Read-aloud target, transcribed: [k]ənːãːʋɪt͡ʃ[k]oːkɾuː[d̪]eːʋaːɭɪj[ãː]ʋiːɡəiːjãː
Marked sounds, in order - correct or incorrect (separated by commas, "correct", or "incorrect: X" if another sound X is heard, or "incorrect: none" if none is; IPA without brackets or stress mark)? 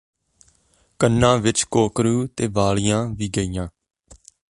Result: correct, correct, incorrect: t̪, correct